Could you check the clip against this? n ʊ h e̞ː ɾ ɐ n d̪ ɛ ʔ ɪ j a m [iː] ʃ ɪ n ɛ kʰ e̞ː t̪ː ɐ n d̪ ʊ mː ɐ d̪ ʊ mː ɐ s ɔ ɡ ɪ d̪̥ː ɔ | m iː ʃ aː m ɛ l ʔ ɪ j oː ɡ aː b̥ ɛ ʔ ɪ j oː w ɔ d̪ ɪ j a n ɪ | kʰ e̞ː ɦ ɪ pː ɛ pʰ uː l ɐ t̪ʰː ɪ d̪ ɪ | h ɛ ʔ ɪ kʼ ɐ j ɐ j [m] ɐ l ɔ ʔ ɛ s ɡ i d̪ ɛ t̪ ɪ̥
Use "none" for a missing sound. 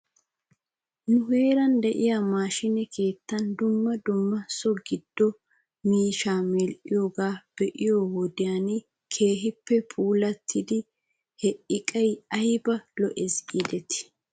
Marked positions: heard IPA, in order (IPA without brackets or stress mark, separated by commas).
aː, b